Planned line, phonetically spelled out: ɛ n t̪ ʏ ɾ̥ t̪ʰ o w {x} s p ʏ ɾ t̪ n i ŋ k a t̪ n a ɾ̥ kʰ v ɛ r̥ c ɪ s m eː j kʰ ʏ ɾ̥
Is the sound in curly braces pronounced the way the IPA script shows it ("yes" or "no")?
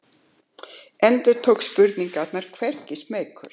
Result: no